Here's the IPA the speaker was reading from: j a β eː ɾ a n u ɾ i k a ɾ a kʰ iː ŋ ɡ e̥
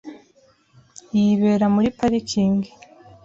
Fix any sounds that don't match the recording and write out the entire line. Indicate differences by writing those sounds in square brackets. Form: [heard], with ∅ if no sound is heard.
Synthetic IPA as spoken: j [i] β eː ɾ a [m] u ɾ i [p] a ɾ [i] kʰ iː ŋ ɡ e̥